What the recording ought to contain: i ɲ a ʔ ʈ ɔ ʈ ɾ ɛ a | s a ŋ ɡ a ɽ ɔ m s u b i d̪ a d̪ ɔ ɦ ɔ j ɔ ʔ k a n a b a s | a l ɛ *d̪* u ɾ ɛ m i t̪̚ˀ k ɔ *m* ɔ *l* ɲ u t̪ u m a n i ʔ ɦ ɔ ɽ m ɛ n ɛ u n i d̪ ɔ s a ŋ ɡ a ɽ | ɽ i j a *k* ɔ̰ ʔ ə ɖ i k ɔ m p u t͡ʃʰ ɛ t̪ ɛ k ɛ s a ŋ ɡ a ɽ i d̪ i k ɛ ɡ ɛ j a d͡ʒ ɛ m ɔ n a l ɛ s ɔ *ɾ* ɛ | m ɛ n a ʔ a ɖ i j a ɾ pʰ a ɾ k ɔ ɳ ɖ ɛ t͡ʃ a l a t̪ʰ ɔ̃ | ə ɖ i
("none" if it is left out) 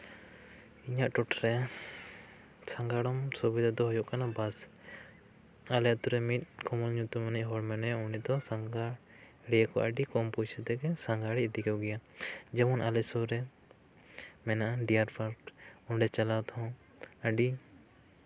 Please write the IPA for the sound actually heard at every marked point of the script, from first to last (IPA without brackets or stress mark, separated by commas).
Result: t̪, m, l, k, ɾ